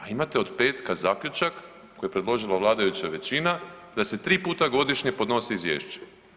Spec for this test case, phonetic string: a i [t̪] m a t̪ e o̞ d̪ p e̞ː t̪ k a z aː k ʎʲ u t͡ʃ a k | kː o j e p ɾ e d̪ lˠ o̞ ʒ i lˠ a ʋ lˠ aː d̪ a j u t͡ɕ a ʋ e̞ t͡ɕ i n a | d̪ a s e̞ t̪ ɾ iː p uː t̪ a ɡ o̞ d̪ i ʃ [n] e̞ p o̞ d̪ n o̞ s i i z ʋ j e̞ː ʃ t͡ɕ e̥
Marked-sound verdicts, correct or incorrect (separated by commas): incorrect, incorrect